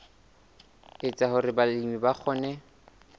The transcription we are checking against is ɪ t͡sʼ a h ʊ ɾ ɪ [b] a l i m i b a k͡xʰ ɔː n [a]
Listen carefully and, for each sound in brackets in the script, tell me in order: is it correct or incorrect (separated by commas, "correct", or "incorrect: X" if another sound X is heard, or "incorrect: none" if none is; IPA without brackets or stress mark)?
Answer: correct, incorrect: ɛ